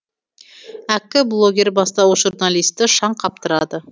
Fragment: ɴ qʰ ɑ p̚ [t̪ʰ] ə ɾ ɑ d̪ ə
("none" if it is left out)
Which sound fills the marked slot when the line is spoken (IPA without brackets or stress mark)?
t̪